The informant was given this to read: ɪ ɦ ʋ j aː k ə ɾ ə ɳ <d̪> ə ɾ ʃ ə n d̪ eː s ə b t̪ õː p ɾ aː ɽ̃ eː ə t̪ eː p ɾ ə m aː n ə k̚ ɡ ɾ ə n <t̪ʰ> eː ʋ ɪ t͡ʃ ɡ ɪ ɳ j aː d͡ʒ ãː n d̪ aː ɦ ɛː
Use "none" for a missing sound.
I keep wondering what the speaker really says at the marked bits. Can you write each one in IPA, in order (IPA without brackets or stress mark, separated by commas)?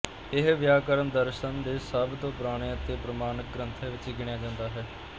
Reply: d̪, t̪ʰ